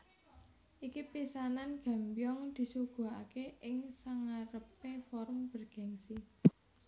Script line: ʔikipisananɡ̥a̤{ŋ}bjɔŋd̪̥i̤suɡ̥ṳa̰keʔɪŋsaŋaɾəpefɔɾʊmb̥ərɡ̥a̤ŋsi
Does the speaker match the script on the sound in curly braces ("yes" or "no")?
no